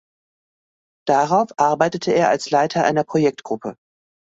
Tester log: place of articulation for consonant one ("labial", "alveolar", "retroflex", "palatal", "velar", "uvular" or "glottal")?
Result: alveolar